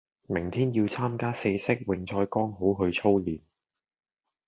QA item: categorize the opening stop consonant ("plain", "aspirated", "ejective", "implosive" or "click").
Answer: aspirated